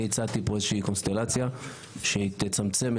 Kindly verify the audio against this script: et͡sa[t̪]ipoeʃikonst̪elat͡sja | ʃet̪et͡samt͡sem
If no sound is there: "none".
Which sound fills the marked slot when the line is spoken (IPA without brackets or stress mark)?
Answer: t̪